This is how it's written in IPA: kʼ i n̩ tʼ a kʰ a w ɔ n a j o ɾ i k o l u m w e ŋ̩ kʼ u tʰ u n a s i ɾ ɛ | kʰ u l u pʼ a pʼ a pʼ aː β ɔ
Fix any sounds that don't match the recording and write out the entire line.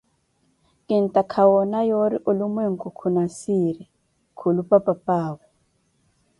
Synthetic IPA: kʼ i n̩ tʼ a kʰ a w ɔ n a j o ɾ i ʔ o l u m w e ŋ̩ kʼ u kʰ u n a s i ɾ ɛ | kʰ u l u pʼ a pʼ a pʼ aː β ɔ